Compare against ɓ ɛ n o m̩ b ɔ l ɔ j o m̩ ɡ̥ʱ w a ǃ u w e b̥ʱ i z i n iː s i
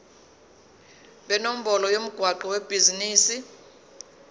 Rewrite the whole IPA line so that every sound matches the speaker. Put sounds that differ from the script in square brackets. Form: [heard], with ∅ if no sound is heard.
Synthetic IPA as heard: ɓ ɛ n o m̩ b ɔ l ɔ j o m̩ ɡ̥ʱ w a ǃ [ɔ] w e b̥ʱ i z i n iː s i

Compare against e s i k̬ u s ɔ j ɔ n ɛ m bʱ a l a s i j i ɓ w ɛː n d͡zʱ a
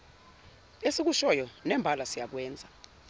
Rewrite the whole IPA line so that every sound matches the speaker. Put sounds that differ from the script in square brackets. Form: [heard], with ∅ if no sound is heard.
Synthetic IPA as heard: e s i k̬ u [ʃ] ɔ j ɔ n ɛ m bʱ a l a s i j [a] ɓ w ɛː n d͡zʱ a

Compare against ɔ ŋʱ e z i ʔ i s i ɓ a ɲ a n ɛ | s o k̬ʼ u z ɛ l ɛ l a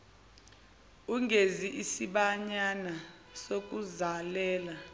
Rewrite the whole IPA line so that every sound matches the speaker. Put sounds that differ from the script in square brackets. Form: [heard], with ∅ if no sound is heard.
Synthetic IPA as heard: [u] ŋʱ e z i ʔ i s i ɓ a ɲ a n [a] | s o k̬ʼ u z [a] l [ɛː] l a

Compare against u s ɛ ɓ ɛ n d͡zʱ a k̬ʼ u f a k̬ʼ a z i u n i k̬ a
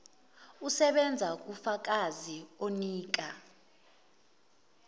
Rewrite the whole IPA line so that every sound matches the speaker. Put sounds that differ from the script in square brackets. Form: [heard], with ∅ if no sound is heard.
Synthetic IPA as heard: u s ɛ ɓ ɛ n d͡zʱ a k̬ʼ u f a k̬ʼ a z i [o] n [iː] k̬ a

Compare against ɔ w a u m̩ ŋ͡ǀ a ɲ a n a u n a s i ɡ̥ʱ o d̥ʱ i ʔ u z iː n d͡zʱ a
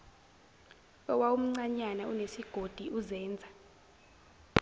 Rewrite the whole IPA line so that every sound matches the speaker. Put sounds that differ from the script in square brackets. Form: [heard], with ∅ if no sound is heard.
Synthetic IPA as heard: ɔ w a u m̩ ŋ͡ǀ a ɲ a n a u n [e] s i ɡ̥ʱ o d̥ʱ i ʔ u z [ɛː] n d͡zʱ a

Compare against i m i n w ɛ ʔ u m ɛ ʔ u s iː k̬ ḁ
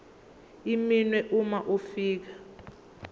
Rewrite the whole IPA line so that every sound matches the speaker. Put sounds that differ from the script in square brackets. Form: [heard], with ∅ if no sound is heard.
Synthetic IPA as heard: i m i n w ɛ ʔ u m [a] ʔ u [f] iː k̬ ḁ

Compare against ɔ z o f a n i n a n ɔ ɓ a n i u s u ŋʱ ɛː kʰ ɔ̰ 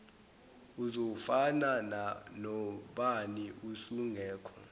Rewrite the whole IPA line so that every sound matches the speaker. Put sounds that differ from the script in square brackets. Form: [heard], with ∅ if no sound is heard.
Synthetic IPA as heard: [u] z o f a n [a] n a n ɔ ɓ a n i u s u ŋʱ ɛː kʰ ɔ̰

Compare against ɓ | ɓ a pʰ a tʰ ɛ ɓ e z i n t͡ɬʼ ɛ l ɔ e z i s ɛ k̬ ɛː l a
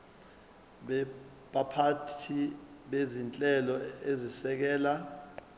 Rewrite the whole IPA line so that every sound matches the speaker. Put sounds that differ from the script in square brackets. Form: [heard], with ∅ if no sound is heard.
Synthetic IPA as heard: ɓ | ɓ a pʰ a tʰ [i] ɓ e z i n t͡ɬʼ ɛ l ɔ e z i s ɛ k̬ ɛː l a

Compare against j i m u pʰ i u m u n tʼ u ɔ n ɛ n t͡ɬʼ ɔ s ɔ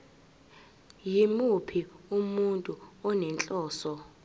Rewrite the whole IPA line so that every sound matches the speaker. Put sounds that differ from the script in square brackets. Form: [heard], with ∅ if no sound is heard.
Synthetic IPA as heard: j i m u pʰ i u m u n tʼ u ɔ n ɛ n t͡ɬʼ [ɔː] s ɔ

